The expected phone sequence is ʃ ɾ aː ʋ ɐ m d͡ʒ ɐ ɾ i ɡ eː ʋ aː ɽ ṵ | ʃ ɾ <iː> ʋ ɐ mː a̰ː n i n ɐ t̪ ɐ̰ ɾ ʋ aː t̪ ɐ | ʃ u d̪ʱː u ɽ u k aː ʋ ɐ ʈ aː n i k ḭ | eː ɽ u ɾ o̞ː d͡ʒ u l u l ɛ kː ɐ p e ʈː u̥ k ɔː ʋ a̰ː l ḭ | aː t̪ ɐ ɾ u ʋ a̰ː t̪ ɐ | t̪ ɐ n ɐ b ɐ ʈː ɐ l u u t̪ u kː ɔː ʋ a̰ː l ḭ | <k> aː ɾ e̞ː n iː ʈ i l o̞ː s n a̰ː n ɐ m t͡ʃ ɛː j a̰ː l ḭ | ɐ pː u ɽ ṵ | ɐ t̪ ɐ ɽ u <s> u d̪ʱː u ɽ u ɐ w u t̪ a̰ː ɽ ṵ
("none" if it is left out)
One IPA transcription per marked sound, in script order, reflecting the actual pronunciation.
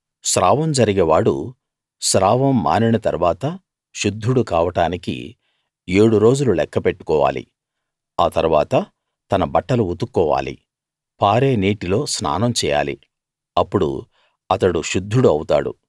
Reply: aː, p, ʃ

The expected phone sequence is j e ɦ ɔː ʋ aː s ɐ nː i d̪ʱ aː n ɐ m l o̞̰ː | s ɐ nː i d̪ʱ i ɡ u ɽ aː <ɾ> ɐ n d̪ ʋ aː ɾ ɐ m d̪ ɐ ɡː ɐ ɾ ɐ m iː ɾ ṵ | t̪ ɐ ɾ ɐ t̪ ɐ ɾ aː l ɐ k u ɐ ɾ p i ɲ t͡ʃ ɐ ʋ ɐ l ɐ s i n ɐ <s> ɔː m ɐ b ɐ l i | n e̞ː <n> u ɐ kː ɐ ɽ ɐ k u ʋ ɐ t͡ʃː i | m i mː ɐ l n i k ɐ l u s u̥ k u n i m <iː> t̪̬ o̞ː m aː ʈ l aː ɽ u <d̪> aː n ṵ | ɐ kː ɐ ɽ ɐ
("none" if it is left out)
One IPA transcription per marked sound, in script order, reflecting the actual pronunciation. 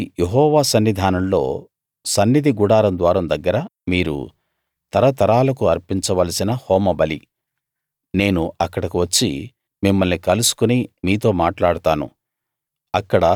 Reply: ɾ, h, n, iː, t̪

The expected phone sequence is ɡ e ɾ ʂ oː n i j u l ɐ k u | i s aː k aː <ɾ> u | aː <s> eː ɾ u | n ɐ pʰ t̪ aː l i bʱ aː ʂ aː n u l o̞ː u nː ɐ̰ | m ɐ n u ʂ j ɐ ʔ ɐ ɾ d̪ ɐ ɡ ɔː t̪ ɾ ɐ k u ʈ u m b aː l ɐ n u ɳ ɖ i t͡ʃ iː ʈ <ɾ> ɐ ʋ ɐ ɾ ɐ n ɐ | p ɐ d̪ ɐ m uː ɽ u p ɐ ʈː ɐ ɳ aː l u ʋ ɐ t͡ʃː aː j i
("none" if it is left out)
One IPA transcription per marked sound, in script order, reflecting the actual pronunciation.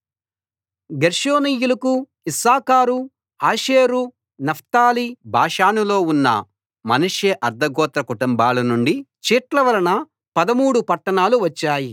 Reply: ɾ, ʃ, l

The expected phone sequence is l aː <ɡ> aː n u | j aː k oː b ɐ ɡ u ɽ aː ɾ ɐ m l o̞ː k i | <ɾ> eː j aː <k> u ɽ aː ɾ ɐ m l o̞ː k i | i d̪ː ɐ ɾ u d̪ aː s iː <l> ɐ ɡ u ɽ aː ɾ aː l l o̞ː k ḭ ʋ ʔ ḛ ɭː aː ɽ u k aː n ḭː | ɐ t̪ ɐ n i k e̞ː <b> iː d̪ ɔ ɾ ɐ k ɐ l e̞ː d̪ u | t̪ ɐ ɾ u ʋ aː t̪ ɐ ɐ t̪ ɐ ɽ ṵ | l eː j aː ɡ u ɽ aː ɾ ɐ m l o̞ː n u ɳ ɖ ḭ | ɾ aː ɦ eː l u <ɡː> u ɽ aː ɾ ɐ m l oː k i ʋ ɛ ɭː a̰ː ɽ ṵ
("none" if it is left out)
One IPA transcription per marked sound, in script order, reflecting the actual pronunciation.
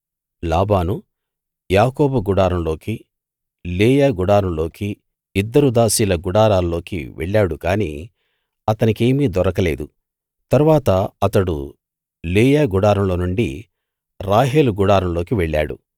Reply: b, l, ɡ, l, m, ɡ

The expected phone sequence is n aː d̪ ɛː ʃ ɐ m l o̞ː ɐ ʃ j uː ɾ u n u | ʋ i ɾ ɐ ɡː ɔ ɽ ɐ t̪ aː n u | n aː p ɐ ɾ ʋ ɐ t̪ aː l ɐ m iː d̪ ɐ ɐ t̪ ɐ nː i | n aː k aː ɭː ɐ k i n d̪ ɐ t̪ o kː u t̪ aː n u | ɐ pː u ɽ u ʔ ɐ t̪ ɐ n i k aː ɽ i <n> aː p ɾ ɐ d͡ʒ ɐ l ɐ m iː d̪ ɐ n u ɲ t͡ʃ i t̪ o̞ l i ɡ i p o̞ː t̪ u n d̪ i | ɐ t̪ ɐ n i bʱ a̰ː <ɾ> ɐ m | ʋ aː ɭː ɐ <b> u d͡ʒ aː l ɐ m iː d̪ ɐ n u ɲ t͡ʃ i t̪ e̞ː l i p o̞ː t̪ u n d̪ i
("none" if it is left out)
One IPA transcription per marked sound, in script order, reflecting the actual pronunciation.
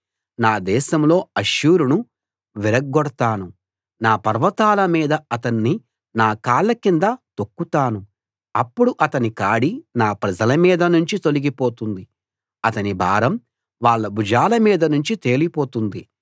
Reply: n, ɾ, b

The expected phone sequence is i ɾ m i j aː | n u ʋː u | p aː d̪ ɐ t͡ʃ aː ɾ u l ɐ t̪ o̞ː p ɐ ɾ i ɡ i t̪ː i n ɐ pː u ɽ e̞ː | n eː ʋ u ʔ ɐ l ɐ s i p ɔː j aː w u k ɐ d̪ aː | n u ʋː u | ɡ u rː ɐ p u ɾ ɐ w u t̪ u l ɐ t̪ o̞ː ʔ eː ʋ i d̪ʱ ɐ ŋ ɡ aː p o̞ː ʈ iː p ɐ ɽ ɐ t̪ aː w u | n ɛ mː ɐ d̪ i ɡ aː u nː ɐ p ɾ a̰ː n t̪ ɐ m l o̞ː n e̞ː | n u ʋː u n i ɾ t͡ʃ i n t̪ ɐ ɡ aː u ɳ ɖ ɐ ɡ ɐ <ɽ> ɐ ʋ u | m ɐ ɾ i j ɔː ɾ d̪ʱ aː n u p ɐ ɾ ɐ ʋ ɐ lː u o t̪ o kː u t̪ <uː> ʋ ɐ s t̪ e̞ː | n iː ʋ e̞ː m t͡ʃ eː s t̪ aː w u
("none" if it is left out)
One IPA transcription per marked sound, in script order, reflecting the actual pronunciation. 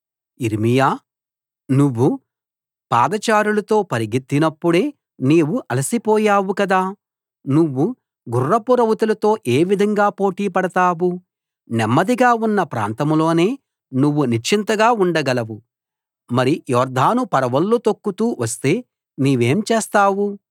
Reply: l, uː

